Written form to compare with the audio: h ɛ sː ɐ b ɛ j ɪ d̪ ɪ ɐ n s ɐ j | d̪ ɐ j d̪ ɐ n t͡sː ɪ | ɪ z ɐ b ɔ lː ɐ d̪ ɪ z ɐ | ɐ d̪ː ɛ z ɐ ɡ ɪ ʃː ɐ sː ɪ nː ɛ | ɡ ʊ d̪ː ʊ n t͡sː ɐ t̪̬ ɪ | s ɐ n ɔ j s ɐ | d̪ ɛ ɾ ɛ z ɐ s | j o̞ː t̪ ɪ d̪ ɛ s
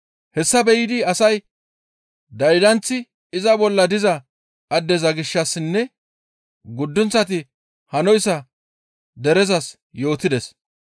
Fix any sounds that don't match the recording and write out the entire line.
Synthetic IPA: h ɛ sː ɐ b ɛ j ɪ d̪ ɪ ɐ s ɐ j | d̪ ɐ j d̪ ɐ n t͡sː ɪ | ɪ z ɐ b ɔ lː ɐ d̪ ɪ z ɐ | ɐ d̪ː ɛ z ɐ ɡ ɪ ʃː ɐ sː ɪ nː ɛ | ɡ ʊ d̪ː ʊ n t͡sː ɐ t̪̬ ɪ | h ɐ n ɔ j s ɐ | d̪ ɛ ɾ ɛ z ɐ s | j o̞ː t̪ ɪ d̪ ɛ s